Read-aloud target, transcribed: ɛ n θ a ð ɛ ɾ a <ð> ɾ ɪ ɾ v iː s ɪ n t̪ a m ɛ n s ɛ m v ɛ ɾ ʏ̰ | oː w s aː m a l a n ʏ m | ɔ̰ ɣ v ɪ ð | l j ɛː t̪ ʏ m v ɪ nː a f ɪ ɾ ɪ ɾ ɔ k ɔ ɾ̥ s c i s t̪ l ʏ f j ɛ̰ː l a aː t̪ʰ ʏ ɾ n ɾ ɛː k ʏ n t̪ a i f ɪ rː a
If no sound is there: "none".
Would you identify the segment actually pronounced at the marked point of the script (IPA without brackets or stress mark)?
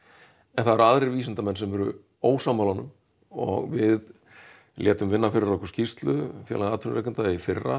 ð